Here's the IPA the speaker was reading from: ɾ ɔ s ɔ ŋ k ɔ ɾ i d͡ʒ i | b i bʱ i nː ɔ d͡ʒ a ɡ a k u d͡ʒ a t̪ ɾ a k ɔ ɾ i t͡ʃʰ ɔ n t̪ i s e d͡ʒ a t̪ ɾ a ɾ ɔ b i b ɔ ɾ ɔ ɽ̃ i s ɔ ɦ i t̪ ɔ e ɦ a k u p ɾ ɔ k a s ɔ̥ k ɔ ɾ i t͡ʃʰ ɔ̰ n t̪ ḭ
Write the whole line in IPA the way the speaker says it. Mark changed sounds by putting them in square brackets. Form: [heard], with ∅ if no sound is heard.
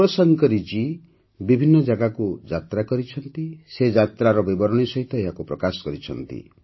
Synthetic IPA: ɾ ɔ s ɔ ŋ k ɔ ɾ i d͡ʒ i | b i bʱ i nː ɔ d͡ʒ a ɡ a k u d͡ʒ a t̪ ɾ a k ɔ ɾ i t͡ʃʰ ɔ n t̪ i s e d͡ʒ a t̪ ɾ a ɾ ɔ b i b ɔ ɾ ɔ ɽ̃ i s ɔ ɦ i t̪ ɔ e ɦ a k u p ɾ ɔ k a s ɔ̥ k ɔ ɾ i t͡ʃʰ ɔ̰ n t̪ ḭ